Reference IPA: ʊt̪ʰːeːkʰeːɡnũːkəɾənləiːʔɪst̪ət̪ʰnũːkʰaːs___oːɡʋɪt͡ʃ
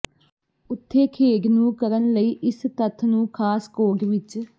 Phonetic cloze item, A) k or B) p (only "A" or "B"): A